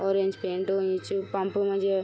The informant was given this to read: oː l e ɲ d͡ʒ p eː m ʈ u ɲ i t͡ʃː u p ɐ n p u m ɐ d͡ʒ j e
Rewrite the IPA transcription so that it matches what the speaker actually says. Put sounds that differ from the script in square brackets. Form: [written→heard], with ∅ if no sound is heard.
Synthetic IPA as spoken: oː [l→ɾ] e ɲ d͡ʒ p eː [m→ɳ] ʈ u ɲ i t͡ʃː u p ɐ [n→m] p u m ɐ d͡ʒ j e